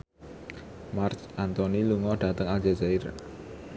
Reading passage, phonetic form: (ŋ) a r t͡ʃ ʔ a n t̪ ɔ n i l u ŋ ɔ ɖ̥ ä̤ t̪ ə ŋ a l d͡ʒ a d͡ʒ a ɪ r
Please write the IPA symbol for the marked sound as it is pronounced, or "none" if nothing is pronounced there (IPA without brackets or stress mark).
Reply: m